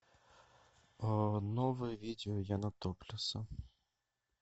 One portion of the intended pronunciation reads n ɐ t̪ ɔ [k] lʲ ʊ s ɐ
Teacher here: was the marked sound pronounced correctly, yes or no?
no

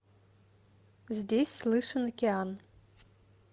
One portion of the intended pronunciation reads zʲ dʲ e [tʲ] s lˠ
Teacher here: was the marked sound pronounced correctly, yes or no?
no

